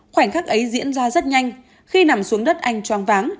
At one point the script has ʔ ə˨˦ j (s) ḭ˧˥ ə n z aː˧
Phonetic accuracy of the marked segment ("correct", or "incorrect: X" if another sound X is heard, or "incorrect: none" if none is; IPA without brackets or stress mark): incorrect: z